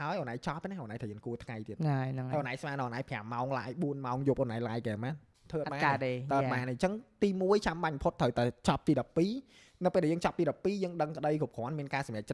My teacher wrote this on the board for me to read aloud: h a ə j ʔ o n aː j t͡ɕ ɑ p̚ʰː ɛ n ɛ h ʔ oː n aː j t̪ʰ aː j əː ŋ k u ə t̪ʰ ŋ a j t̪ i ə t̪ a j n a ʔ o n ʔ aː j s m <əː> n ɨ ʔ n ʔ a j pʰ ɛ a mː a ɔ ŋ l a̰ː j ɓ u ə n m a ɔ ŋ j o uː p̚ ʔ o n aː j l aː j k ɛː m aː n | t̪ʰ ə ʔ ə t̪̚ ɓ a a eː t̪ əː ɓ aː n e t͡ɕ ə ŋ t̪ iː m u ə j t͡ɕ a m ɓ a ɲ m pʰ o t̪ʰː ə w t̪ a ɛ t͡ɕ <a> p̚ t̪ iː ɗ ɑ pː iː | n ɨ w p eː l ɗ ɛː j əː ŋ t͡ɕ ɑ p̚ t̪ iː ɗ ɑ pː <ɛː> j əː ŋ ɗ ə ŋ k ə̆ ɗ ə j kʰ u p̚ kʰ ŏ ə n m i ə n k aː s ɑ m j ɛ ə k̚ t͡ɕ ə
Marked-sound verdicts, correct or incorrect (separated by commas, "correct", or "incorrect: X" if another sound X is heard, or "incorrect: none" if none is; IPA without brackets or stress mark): incorrect: aː, incorrect: ɑ, incorrect: iː